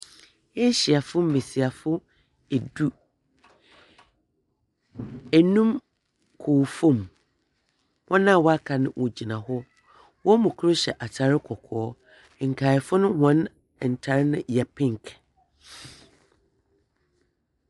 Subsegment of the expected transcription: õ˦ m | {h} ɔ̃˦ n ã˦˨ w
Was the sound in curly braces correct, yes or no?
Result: yes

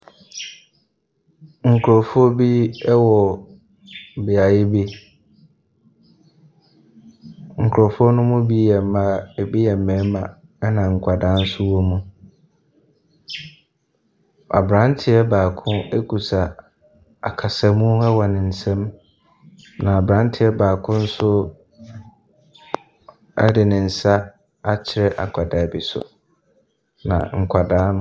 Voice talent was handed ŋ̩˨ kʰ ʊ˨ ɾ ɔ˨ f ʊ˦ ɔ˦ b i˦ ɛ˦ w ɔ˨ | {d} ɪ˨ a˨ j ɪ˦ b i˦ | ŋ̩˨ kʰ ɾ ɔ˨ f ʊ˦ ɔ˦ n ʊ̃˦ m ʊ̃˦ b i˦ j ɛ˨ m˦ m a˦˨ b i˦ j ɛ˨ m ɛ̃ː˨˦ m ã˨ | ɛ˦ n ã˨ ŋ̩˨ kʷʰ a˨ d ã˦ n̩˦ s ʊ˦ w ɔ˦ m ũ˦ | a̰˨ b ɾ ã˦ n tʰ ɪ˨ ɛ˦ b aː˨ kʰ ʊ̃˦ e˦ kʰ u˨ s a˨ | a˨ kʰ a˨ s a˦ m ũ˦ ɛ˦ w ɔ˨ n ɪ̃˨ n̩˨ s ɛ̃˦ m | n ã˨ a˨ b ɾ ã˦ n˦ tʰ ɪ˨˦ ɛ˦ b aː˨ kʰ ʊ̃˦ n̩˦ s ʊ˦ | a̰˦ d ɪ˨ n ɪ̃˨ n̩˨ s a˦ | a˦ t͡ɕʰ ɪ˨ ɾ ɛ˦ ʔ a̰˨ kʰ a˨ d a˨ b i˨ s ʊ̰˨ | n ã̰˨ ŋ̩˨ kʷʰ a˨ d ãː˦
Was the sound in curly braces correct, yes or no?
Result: no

